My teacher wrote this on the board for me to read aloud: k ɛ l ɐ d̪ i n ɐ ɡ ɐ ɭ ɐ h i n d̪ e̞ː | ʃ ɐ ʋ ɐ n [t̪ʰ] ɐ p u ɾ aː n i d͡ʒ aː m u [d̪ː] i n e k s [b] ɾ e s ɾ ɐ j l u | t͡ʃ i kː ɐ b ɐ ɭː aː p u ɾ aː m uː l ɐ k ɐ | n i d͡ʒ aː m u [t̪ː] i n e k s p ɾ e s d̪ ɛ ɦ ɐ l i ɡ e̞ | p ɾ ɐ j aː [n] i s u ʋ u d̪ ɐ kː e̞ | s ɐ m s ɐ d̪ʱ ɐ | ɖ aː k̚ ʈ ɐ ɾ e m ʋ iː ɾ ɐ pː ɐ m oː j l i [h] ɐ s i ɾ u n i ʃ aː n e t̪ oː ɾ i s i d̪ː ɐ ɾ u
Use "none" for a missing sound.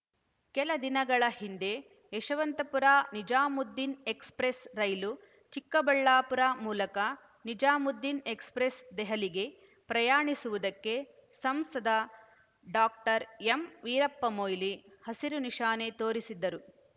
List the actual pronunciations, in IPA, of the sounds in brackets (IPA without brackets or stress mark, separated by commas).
t̪, d̪ː, p, d̪ː, ɳ, h